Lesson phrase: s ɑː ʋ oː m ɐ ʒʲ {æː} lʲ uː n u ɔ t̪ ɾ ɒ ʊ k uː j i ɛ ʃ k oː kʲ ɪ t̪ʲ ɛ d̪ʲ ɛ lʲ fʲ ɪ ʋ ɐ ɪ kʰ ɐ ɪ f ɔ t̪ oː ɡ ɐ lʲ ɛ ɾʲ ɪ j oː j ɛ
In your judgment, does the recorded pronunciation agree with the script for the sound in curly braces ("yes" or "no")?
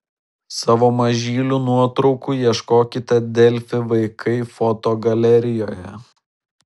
no